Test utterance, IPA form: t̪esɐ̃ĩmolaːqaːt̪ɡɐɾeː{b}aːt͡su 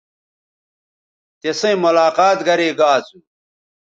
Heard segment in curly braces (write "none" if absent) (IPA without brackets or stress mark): ɡ